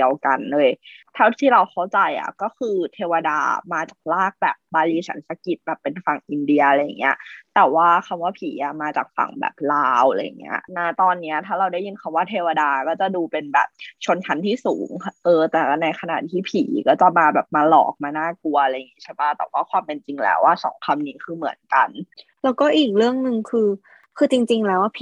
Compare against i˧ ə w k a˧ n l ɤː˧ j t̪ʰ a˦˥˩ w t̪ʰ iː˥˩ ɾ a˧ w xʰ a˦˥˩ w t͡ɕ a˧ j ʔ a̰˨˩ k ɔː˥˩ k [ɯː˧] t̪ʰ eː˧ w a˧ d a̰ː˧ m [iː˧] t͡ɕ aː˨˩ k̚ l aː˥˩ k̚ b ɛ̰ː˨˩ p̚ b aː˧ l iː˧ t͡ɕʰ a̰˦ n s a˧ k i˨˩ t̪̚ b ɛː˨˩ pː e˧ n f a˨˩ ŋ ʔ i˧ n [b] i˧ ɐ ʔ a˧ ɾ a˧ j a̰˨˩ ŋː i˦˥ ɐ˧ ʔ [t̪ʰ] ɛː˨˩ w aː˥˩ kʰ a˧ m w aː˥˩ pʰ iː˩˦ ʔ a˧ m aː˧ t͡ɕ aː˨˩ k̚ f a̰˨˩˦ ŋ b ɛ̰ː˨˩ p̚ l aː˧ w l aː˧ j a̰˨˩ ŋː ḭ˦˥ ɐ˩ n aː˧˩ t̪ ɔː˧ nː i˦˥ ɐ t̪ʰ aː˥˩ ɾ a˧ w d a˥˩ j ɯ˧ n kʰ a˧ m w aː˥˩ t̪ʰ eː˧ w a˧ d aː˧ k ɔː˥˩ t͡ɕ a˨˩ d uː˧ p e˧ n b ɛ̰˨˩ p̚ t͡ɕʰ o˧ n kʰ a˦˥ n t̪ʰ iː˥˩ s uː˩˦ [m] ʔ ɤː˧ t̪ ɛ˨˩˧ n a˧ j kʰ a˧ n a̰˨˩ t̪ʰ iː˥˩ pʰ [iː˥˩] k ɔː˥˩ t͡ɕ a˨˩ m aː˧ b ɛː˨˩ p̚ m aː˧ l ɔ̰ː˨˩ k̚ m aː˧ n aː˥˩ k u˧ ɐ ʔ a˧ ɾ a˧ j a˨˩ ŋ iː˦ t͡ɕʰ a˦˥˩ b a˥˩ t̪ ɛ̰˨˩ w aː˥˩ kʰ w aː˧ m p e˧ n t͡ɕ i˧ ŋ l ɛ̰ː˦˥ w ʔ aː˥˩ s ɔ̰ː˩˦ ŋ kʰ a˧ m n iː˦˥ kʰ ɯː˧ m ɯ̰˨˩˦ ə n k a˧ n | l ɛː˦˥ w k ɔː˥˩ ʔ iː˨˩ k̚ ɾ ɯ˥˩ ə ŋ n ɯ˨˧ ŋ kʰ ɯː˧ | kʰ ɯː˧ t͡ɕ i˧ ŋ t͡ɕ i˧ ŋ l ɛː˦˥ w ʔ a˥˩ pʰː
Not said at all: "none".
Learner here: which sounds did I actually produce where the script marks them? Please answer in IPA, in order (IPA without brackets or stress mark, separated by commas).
ɯː˧, aː˧, d, t̪, ŋ, iː˩˦